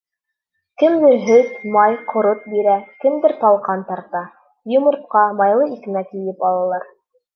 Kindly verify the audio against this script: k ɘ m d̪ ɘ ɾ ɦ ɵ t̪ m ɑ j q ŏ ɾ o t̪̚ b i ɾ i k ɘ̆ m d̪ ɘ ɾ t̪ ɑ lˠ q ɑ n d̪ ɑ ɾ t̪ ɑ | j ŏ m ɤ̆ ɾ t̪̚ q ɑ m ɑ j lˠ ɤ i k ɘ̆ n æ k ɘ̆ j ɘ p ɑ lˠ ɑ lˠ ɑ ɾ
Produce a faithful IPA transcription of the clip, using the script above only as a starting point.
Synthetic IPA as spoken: k ɘ m d̪ ɘ ɾ ɦ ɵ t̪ m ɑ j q ŏ ɾ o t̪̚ b i ɾ æ k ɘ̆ m d̪ ɘ ɾ t̪ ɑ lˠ q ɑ n t̪ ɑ ɾ t̪ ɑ | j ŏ m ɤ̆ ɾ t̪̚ q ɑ m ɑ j lˠ ɤ i k ɘ̆ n æ k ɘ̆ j ɘ p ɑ lˠ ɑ lˠ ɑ ɾ